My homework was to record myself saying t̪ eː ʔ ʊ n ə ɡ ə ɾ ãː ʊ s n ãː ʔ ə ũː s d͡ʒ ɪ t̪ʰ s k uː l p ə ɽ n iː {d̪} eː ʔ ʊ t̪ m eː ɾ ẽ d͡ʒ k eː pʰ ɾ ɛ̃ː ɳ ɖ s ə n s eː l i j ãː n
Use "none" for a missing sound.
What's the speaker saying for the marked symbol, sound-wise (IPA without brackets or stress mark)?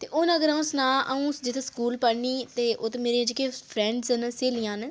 t̪